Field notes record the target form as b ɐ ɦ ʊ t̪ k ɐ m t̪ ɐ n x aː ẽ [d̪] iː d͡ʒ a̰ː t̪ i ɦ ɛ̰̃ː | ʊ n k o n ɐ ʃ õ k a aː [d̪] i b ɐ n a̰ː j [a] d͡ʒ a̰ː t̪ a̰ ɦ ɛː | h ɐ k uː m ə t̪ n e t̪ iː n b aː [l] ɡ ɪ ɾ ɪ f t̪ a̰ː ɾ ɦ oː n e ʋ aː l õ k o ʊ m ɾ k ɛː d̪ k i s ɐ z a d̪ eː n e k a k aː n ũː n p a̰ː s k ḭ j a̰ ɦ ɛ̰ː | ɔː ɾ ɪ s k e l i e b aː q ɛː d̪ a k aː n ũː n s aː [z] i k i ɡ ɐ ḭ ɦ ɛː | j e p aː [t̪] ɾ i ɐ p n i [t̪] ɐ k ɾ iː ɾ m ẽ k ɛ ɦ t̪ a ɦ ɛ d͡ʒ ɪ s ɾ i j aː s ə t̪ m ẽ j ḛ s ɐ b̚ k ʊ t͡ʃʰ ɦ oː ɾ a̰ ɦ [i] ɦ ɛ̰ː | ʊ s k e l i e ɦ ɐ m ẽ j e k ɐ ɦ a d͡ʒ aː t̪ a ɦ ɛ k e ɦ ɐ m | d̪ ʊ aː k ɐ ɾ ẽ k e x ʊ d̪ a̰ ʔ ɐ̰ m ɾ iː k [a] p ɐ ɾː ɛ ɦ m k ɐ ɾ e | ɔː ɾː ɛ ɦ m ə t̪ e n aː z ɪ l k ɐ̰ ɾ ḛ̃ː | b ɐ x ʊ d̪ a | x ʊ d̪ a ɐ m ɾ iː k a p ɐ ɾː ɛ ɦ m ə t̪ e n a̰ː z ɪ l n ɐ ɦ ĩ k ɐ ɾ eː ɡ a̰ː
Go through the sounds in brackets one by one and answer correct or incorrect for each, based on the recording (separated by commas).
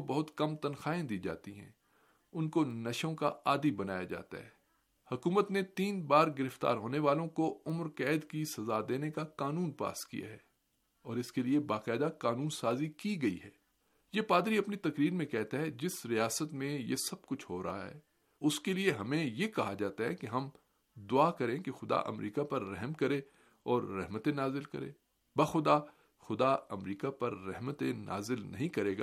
correct, correct, correct, incorrect, correct, incorrect, correct, incorrect, correct